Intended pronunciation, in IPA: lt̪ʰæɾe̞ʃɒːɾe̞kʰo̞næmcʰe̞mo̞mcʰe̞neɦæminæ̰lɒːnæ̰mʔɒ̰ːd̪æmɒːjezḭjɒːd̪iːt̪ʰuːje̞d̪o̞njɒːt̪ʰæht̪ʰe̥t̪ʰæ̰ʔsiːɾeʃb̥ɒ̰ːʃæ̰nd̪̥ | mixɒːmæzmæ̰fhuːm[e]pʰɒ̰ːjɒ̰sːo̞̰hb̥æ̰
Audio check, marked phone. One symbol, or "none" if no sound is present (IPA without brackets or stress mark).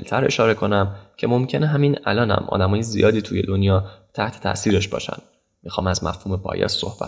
e